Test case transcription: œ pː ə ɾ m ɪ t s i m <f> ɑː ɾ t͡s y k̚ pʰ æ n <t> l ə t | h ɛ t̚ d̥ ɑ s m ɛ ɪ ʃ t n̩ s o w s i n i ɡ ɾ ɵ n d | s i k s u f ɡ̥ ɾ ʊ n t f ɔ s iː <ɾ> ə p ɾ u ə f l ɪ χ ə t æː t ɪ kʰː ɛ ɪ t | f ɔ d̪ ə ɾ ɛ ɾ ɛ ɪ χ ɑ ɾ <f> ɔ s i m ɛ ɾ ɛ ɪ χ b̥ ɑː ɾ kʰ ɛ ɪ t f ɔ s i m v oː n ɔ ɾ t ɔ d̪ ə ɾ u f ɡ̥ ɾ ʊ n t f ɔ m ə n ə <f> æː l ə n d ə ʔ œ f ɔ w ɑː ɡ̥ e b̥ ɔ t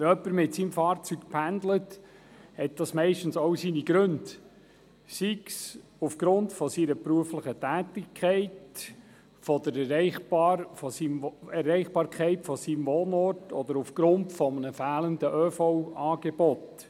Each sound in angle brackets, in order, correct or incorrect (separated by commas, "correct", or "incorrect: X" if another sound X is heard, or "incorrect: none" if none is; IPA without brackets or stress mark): correct, incorrect: d, correct, correct, correct